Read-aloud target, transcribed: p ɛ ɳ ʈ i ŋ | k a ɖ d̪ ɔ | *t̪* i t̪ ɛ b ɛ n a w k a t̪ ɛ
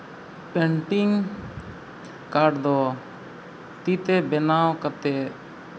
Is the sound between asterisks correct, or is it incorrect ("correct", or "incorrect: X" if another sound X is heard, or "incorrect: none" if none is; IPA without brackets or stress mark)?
correct